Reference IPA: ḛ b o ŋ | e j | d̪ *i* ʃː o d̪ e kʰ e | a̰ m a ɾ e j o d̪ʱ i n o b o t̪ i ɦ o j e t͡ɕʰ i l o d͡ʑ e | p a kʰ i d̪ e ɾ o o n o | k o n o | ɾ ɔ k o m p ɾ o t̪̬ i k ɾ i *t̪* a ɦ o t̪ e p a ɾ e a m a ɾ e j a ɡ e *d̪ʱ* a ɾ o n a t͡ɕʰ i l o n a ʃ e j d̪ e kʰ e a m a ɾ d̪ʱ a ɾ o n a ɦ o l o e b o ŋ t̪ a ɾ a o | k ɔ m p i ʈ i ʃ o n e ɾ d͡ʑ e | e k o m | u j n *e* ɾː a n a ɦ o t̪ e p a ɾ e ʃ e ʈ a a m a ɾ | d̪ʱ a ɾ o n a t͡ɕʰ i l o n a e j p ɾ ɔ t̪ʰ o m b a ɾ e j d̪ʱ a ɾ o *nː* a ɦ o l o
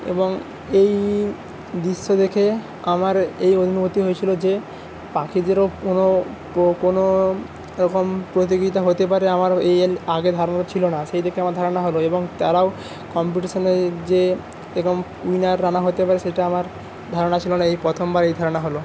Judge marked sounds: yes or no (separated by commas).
yes, yes, yes, no, no